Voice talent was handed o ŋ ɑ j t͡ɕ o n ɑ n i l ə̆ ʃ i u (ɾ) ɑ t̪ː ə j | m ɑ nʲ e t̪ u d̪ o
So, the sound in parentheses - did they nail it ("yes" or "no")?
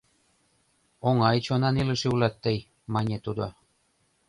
no